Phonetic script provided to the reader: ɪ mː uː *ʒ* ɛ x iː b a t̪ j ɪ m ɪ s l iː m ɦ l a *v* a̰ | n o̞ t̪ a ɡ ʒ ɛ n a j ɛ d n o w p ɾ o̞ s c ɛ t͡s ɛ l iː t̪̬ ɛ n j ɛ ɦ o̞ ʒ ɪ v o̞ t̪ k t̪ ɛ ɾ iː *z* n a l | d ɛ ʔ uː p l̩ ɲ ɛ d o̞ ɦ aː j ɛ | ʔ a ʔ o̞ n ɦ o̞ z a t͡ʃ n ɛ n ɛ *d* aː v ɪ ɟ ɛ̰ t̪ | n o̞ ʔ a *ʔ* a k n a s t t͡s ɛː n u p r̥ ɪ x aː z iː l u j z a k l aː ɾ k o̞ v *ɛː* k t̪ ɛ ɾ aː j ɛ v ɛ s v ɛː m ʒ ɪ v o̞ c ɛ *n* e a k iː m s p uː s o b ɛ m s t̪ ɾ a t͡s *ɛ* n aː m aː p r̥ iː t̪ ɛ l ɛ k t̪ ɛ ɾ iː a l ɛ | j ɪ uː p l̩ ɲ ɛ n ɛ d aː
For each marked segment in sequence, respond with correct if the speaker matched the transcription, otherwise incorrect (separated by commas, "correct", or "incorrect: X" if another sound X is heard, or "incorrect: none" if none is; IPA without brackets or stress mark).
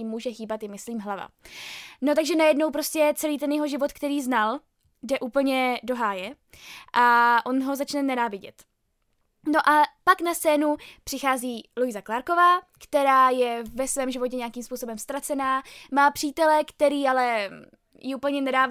correct, correct, correct, incorrect: n, incorrect: p, incorrect: aː, incorrect: ɲ, correct